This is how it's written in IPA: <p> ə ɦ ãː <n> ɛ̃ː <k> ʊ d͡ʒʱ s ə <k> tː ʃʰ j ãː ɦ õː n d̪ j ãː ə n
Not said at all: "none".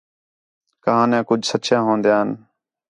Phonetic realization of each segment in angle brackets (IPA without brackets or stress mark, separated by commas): k, n, k, none